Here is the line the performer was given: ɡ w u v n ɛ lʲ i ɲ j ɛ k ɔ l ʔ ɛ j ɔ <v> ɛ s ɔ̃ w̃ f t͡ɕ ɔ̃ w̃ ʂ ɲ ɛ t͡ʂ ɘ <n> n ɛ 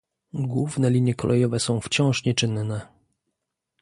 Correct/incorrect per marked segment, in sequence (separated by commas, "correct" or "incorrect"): correct, correct